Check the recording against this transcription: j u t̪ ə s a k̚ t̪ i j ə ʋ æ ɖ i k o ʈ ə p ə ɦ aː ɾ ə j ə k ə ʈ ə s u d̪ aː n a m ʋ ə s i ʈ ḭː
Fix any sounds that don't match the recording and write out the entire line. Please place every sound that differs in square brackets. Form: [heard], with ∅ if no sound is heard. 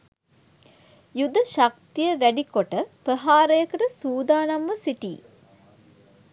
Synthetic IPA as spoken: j u [d̪] ə [ʃ] a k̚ t̪ i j ə ʋ æ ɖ i k o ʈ ə p ə ɦ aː ɾ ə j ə k ə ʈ ə s [uː] d̪ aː n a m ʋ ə s i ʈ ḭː